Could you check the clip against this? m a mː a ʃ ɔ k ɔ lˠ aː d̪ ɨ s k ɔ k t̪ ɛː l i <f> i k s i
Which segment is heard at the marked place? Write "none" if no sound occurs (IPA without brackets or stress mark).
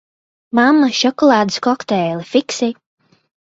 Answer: f